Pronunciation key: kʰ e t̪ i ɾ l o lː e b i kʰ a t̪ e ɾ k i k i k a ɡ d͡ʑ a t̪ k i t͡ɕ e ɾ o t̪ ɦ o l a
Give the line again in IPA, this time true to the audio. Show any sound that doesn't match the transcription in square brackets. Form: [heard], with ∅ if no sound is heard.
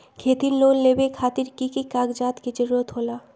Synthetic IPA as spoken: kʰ e t̪ i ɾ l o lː e b [e] kʰ a t̪ [i] ɾ k i k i k a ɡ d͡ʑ a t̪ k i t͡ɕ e ɾ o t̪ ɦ o l a